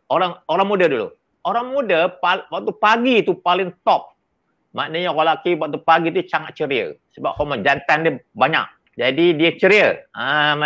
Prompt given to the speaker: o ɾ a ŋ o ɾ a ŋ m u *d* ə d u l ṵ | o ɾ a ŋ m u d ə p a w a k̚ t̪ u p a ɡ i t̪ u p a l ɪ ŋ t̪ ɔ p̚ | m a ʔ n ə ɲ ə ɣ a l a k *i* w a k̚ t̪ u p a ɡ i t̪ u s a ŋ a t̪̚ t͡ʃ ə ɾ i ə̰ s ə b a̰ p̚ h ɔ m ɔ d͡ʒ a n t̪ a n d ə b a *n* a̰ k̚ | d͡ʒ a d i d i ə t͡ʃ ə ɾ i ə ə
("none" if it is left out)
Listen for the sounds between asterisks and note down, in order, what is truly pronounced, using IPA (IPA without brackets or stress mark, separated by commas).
d, i, ɲ